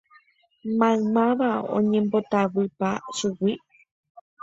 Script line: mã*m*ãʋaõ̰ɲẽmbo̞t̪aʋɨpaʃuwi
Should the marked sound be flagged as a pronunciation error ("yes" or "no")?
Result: no